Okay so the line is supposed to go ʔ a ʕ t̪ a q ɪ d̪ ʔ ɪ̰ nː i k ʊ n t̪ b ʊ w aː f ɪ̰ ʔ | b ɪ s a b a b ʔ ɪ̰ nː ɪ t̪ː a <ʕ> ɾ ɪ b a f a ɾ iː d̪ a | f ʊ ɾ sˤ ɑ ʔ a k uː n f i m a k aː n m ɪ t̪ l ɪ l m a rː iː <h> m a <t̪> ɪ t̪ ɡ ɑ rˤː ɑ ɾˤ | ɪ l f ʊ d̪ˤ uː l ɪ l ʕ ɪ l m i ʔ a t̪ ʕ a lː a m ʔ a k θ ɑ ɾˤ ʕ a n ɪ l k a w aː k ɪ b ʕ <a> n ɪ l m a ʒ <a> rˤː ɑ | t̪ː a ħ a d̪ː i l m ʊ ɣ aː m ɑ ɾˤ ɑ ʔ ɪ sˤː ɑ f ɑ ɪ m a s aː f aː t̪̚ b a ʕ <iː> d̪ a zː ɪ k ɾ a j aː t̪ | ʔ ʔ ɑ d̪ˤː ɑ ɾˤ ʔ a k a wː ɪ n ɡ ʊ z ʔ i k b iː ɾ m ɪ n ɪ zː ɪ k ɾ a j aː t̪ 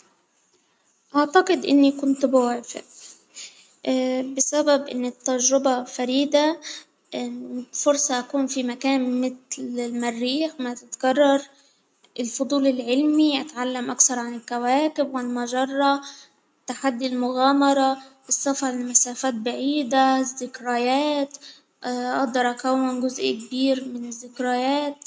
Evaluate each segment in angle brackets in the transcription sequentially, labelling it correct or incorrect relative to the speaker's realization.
incorrect: ʒ, incorrect: x, correct, correct, incorrect: ɑ, correct

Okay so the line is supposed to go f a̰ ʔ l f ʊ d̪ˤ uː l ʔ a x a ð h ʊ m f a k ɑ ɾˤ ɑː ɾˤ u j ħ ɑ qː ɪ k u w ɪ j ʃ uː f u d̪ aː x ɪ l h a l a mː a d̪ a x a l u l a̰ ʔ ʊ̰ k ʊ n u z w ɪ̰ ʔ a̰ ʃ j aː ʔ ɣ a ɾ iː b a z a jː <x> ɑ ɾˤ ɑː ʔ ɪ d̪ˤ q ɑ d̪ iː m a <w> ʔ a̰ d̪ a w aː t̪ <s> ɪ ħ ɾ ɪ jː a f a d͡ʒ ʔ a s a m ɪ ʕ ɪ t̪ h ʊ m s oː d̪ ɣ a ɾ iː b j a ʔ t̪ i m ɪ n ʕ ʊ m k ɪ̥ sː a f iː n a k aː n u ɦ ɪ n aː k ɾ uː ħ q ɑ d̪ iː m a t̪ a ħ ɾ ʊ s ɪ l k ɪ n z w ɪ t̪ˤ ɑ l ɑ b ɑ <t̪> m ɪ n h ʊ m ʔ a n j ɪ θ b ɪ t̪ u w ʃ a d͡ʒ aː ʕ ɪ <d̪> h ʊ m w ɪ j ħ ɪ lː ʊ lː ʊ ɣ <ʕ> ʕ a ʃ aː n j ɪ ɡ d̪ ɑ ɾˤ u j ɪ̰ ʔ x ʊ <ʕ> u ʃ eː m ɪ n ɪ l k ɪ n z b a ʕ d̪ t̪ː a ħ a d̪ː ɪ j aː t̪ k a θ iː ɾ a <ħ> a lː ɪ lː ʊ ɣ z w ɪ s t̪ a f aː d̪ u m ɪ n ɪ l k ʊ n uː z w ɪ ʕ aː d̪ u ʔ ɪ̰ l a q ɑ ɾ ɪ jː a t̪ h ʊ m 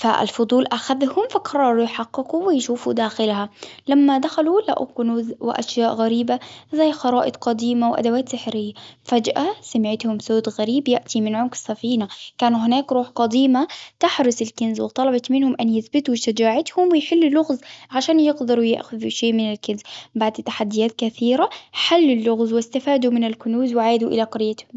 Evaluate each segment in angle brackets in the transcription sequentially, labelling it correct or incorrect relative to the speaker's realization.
correct, correct, correct, correct, incorrect: t̪, incorrect: z, incorrect: ð, correct

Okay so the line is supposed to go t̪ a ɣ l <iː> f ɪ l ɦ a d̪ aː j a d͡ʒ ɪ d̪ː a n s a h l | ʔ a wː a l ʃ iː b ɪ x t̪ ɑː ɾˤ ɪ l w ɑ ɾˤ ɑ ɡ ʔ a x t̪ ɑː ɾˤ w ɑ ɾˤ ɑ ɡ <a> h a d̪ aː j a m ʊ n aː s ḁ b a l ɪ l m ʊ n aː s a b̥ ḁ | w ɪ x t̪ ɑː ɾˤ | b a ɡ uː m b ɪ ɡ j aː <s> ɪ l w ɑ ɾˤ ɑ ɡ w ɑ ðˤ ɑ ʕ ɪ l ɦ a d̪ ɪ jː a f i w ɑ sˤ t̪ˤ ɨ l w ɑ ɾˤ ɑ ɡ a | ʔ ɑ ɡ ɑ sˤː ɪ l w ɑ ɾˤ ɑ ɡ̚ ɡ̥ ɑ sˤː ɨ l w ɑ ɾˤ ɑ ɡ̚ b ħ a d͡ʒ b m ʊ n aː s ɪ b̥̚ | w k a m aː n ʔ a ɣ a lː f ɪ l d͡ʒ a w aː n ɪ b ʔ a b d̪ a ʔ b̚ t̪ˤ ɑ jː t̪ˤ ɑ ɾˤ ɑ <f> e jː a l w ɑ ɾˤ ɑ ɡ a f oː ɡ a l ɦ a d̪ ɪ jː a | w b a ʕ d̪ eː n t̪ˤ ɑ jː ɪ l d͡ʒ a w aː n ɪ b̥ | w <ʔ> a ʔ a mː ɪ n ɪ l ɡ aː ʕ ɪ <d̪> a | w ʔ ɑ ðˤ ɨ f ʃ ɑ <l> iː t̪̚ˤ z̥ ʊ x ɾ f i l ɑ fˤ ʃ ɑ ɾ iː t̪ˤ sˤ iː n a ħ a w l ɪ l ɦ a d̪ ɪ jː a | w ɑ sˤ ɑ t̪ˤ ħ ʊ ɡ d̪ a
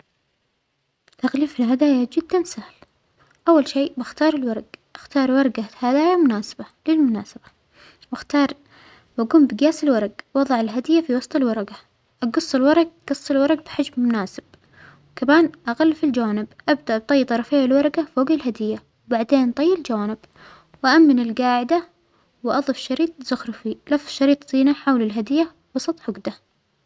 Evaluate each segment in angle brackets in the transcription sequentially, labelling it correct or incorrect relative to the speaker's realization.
correct, correct, correct, correct, correct, correct, incorrect: ɾ

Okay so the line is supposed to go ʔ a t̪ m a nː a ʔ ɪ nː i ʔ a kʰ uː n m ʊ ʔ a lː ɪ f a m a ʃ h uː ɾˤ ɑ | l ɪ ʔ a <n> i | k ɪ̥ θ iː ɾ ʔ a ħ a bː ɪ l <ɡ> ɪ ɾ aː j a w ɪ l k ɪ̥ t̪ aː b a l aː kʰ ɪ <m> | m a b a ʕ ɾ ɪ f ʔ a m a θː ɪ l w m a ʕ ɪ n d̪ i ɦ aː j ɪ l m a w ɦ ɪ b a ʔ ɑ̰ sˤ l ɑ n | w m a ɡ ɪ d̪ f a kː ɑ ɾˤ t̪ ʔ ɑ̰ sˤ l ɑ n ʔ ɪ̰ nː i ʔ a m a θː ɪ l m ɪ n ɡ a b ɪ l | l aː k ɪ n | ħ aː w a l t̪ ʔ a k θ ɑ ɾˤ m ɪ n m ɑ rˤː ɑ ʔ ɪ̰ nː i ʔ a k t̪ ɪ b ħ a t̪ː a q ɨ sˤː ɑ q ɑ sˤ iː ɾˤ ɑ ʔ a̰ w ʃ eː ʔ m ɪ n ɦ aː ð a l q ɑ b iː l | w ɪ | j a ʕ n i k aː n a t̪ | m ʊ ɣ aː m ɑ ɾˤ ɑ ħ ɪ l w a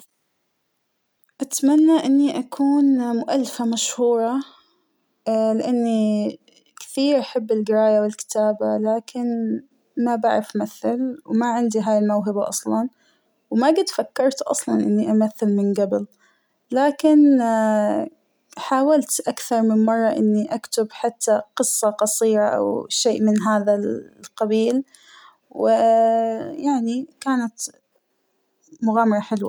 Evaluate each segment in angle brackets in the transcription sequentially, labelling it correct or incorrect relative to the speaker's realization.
incorrect: nː, correct, incorrect: n

